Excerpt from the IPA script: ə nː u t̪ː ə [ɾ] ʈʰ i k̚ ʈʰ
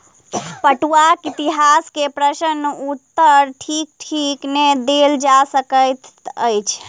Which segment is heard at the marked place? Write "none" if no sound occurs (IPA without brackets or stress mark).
ɾ